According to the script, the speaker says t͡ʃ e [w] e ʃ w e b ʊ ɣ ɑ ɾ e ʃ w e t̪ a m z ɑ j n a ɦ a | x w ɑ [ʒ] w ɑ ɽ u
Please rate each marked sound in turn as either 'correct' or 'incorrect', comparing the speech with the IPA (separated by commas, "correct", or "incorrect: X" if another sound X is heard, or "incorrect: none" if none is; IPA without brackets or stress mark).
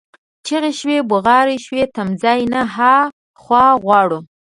incorrect: ɣ, incorrect: ɣ